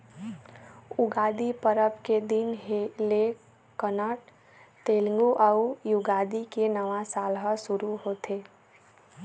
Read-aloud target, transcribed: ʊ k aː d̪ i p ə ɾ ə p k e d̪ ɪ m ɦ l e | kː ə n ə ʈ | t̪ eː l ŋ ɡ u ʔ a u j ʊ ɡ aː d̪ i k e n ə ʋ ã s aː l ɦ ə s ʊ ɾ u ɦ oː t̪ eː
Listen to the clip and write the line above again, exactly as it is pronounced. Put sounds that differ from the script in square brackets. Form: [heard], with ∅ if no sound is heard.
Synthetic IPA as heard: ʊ [ɡ] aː d̪ i p ə ɾ ə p k e d̪ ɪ [n] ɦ l e | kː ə n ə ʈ | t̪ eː l ŋ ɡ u ʔ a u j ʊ ɡ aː d̪ i k e n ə ʋ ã s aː l ɦ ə s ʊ ɾ u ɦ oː t̪ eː